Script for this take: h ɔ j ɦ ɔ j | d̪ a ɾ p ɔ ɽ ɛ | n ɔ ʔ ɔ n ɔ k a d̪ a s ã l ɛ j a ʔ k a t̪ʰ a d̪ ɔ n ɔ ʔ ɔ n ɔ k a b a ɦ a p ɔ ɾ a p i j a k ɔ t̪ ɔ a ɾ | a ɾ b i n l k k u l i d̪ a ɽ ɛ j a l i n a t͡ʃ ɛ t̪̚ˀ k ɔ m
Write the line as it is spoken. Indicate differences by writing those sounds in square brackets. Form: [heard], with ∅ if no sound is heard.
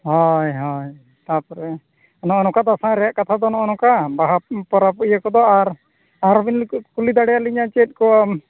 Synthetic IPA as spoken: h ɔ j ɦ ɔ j | [t̪] a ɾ p ɔ [ɾ] ɛ | n ɔ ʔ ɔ n ɔ k a d̪ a s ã [ɾ] ɛ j a ʔ k a t̪ʰ a d̪ ɔ n ɔ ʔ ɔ n ɔ k a b a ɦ a p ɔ ɾ a p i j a k ɔ [d̪] ɔ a ɾ | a ɾ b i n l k k u l i d̪ a ɽ ɛ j a l i [ɲ] a t͡ʃ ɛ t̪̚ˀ k ɔ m